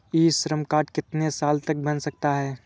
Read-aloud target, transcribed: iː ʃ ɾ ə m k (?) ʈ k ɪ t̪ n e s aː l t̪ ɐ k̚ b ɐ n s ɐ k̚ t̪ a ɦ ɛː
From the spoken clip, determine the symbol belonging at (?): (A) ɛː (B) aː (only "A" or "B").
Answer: B